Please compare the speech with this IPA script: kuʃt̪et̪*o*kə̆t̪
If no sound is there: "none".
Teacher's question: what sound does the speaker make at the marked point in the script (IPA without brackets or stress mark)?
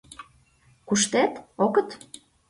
o